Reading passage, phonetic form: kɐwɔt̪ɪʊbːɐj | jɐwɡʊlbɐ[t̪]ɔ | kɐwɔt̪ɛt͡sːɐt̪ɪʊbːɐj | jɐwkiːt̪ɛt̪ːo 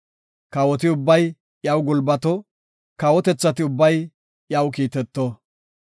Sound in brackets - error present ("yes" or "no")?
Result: no